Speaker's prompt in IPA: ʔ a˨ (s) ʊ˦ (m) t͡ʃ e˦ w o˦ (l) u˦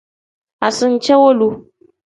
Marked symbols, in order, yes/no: yes, no, yes

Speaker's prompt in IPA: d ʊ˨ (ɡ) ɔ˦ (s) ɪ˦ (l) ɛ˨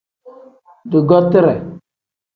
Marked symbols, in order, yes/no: yes, no, no

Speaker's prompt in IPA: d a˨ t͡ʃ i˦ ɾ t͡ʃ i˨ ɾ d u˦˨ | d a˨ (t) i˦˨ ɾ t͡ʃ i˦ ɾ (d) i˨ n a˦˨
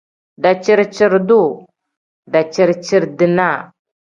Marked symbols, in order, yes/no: no, yes

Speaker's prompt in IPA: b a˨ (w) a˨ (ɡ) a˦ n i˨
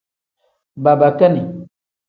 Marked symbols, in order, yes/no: no, no

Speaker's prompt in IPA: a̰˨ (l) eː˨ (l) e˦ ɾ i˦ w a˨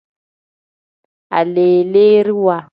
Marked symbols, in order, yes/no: yes, yes

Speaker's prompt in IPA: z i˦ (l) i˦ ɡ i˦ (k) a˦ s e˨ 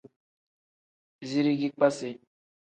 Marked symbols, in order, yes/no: no, no

